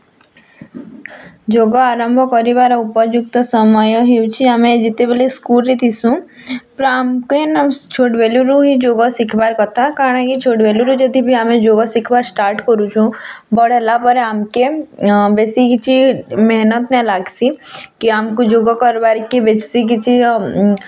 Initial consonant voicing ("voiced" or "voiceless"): voiced